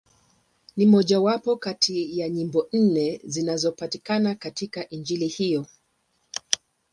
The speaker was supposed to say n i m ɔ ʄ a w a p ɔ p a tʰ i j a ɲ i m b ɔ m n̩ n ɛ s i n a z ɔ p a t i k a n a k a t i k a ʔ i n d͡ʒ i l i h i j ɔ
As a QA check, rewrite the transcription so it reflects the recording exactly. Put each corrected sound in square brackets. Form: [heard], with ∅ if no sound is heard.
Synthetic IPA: n i m ɔ ʄ a w a p ɔ [k] a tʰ i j a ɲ i m b ɔ [∅] n̩ n ɛ [z] i n a z ɔ p a t i k a n a k a t i k a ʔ i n d͡ʒ i l i h i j ɔ